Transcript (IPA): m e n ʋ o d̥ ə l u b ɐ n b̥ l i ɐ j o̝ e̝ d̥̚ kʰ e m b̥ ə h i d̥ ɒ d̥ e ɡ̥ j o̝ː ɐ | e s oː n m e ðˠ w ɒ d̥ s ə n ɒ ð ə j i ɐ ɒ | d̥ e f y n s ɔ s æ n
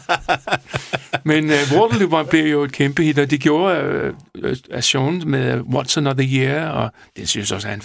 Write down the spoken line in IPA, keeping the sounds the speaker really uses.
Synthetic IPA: m e n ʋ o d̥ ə l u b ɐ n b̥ l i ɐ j o̝ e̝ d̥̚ kʰ e m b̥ ə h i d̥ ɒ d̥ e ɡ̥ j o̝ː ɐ | æ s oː n m e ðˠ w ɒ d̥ s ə n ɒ ð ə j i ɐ ɒ | d̥ e s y n s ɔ s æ n